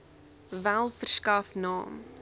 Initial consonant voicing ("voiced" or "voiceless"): voiced